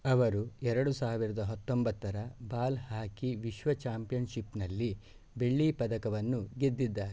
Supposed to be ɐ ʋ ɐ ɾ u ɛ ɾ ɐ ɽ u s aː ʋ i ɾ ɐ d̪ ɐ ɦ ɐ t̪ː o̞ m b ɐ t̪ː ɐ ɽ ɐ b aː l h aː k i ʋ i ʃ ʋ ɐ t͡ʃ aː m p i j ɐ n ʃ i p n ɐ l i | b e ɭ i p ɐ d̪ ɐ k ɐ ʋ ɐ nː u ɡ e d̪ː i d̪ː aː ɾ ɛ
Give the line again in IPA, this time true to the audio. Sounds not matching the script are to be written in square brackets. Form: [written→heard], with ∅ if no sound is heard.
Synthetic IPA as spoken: ɐ ʋ ɐ ɾ u ɛ ɾ ɐ ɽ u s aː ʋ i ɾ ɐ d̪ ɐ ɦ ɐ t̪ː o̞ m b ɐ t̪ː ɐ [ɽ→ɾ] ɐ b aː l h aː k i ʋ i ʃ ʋ ɐ t͡ʃ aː m p i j ɐ n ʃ i p n ɐ [l→lː] i | b e [ɭ→ɭː] i p ɐ d̪ ɐ k ɐ ʋ ɐ nː u ɡ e d̪ː i d̪ː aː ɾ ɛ